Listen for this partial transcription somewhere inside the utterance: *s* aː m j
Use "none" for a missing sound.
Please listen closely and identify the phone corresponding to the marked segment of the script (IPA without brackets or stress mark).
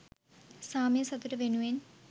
s